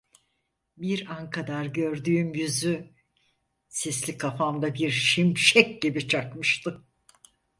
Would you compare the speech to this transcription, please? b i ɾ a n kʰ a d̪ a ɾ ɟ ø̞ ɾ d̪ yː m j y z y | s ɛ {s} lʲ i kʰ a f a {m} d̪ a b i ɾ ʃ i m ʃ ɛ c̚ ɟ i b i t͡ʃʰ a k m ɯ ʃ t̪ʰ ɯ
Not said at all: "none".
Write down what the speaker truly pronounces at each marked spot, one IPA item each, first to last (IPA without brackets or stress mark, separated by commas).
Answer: s, m